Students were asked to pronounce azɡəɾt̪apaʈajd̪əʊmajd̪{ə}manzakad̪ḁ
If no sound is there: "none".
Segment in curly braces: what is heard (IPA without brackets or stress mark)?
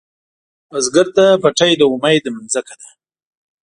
ə